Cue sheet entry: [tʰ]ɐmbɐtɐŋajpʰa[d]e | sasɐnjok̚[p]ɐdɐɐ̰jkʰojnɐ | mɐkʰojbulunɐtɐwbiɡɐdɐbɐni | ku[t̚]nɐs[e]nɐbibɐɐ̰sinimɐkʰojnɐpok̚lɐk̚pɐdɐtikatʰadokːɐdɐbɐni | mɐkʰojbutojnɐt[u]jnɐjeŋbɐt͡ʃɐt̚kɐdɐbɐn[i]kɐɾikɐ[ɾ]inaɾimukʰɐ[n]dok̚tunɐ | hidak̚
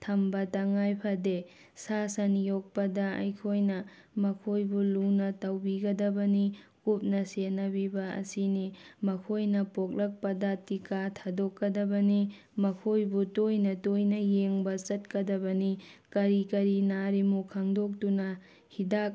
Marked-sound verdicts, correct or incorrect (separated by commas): correct, correct, correct, incorrect, correct, incorrect, correct, correct, incorrect